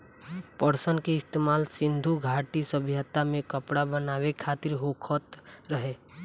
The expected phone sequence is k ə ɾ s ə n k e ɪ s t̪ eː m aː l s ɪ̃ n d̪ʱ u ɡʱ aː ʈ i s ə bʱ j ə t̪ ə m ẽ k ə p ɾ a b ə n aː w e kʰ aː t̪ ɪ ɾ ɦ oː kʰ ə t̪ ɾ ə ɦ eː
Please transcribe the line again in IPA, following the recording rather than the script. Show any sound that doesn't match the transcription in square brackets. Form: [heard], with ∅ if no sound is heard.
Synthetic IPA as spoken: [p] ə ɾ s ə n k e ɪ s t̪ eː m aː l s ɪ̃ n d̪ʱ u ɡʱ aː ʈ i s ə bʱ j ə t̪ [a] m ẽ k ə p [ɽ] a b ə n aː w e kʰ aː t̪ ɪ ɾ ɦ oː kʰ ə t̪ ɾ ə ɦ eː